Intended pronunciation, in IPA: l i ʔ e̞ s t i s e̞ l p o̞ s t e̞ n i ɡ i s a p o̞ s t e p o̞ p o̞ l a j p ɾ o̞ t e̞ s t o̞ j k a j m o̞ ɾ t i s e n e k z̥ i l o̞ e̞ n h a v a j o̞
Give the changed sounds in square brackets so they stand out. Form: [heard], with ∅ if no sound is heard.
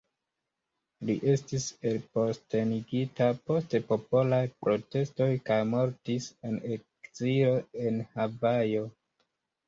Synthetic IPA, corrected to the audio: l i ʔ e̞ s t i s e̞ l p o̞ s t e̞ n i ɡ i [t] a p o̞ s t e p o̞ p o̞ l a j p ɾ o̞ t e̞ s t o̞ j k a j m o̞ ɾ t i s e n e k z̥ i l o̞ e̞ n h a v a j o̞